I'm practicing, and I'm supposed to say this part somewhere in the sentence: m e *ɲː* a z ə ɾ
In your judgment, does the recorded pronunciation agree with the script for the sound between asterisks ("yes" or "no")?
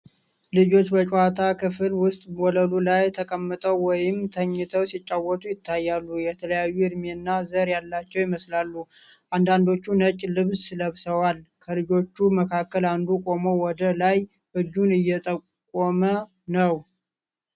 no